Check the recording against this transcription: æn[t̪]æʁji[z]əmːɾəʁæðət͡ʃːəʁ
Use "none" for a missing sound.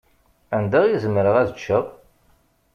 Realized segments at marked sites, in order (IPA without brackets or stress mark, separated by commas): d̪, z